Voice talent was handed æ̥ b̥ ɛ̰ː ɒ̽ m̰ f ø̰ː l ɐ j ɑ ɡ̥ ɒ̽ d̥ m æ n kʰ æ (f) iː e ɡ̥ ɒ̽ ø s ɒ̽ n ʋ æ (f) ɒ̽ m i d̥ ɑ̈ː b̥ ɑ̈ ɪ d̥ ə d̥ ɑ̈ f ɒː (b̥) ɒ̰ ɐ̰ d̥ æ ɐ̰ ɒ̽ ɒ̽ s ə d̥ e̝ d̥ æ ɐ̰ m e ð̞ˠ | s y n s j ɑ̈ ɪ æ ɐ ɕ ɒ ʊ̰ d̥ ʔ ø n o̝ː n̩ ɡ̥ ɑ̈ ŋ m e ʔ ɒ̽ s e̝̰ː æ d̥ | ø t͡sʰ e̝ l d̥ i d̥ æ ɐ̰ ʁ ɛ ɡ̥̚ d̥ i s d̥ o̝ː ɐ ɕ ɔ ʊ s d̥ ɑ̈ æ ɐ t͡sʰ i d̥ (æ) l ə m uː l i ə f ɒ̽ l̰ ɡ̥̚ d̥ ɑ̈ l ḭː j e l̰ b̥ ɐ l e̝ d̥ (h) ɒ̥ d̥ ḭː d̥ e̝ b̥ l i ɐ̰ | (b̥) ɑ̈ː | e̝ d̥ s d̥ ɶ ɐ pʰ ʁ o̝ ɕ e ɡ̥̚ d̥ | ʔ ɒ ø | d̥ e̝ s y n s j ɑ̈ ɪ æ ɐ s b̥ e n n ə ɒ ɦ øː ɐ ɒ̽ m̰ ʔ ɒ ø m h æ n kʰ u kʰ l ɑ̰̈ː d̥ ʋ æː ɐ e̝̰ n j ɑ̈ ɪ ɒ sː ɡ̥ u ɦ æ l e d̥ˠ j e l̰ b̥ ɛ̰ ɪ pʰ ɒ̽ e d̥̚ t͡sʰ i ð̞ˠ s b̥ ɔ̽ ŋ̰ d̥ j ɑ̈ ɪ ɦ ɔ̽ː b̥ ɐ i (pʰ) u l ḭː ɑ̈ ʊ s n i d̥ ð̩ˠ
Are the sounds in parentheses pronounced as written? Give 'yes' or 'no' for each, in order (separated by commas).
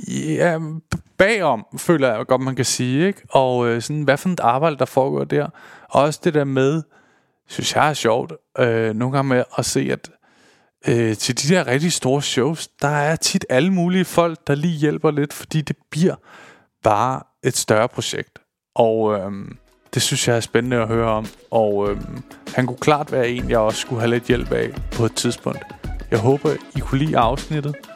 no, yes, no, yes, no, yes, no